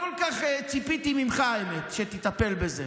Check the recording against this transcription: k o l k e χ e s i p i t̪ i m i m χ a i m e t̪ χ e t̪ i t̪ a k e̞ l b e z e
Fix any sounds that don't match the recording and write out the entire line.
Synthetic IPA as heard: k o l k a χ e t͡s i p i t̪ i m i m χ a e m e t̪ ʃ e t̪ i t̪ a p e̞ l b e z e